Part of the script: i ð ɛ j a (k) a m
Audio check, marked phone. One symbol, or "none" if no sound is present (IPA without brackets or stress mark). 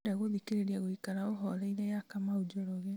k